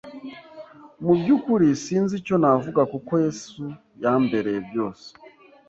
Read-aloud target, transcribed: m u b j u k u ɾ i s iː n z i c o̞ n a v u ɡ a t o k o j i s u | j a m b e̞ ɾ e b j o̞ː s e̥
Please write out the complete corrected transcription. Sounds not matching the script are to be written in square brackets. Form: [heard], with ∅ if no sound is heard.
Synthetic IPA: m u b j u k u ɾ i s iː n z i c o̞ n a v u ɡ a [k] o k o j [e] s u | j a m b e̞ ɾ e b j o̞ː s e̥